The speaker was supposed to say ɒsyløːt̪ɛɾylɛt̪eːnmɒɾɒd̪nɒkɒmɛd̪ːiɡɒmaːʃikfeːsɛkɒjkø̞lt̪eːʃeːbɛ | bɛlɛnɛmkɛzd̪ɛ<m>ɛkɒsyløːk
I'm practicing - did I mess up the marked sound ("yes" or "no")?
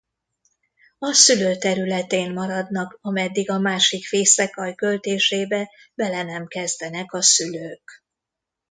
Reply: yes